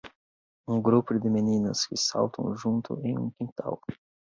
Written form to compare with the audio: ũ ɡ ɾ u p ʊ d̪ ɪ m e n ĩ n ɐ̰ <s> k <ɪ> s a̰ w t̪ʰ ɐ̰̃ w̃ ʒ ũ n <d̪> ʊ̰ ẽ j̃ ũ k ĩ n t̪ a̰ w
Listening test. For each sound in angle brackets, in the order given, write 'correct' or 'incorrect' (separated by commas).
correct, correct, incorrect